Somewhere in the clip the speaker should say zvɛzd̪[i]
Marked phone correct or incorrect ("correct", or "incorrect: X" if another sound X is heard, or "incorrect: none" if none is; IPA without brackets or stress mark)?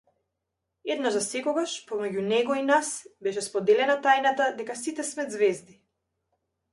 correct